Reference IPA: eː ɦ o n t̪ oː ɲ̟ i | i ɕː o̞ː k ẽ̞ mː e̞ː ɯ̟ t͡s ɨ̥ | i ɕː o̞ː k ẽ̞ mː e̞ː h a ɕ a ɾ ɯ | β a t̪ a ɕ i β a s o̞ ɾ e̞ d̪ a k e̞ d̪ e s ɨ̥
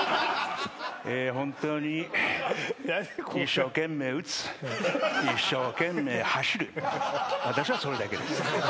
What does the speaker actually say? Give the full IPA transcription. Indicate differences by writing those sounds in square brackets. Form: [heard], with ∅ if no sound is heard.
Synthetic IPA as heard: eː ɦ [õ] n t̪ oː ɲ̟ i | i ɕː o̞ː k ẽ̞ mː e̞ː ɯ̟ t͡s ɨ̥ | i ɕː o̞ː k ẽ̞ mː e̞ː h a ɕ [i] ɾ ɯ | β a t̪ a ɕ i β a s o̞ ɾ e̞ d̪ a k e̞ d̪ e s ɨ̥